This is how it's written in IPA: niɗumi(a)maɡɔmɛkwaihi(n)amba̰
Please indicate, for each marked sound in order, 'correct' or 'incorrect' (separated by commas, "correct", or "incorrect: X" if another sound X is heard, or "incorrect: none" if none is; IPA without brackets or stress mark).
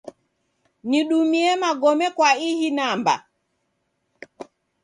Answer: incorrect: ɛ, correct